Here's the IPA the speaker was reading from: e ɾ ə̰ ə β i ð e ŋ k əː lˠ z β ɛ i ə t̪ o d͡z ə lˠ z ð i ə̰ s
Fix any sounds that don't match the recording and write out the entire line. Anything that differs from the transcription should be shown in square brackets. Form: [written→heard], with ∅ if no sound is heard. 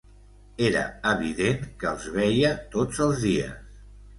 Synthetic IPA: e ɾ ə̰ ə β i ð e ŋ k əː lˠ z β ɛ [i→j] ə t̪ o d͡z ə lˠ z ð i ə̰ s